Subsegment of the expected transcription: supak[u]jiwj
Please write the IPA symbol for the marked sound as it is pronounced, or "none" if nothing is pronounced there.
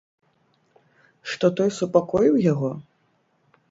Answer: ɔ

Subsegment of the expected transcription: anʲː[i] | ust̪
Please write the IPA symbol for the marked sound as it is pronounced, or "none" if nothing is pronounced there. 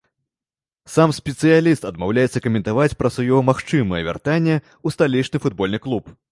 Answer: ɛ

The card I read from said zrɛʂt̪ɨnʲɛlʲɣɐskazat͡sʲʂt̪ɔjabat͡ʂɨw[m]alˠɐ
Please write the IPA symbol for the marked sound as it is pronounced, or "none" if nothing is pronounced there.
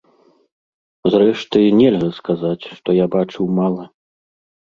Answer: m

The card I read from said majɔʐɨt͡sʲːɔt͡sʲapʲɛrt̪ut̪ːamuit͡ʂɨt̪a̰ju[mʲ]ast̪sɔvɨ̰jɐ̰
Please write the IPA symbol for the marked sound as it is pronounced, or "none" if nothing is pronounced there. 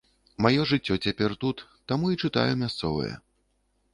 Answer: mʲ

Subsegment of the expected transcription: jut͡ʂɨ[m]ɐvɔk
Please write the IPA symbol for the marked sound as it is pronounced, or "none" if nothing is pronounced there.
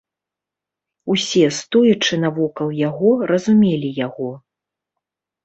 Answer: n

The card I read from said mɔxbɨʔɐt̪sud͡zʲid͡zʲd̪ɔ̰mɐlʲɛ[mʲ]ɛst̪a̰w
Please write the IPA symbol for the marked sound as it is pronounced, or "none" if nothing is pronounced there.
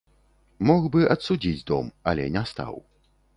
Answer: nʲ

